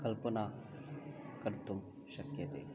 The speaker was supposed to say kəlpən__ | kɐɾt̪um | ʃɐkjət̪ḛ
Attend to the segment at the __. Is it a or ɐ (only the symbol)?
a